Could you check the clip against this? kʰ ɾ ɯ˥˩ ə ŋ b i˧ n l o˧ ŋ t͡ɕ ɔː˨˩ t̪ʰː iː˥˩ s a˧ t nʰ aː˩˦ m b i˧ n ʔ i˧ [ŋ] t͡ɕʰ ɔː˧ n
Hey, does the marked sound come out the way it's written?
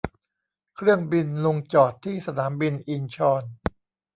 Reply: no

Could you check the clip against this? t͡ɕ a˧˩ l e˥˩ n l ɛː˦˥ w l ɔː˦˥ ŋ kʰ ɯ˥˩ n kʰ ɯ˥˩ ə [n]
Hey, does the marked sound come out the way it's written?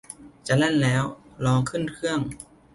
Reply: no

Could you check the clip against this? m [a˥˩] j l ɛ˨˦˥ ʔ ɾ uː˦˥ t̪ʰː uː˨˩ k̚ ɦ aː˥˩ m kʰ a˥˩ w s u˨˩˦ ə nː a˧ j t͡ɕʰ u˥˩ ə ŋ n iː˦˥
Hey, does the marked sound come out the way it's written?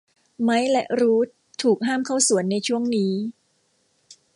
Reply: no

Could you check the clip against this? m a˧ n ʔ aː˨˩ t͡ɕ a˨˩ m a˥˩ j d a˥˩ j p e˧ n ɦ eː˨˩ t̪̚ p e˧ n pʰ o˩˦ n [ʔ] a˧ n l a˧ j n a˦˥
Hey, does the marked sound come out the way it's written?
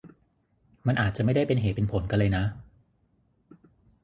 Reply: no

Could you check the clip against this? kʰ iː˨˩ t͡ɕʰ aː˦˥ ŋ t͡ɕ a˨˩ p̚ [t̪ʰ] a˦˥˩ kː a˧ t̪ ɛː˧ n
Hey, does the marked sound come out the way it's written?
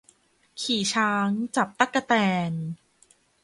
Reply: no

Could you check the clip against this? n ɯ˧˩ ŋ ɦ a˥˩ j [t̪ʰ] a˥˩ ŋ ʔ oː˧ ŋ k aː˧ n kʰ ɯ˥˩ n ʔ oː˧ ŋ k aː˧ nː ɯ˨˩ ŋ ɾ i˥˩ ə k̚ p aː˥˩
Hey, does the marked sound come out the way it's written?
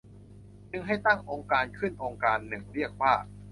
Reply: no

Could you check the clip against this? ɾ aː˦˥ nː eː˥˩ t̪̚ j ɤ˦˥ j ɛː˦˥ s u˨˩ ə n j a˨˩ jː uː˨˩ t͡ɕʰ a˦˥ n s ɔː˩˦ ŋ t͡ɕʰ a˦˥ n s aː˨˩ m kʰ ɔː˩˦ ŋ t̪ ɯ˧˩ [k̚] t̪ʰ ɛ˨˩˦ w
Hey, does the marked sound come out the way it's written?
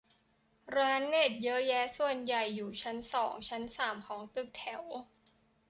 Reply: yes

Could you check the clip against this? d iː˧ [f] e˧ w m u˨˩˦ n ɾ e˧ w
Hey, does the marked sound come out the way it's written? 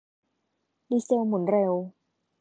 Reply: no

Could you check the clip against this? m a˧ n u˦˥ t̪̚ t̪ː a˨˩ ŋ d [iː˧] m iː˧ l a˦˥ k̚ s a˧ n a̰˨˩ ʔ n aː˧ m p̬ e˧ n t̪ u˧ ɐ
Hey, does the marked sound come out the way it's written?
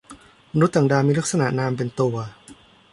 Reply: no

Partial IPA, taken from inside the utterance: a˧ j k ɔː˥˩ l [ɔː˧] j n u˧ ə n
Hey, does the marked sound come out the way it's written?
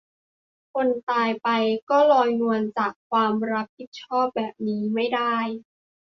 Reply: yes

